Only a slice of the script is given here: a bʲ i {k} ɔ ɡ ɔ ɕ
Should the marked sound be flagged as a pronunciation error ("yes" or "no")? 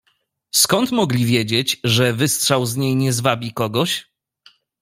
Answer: no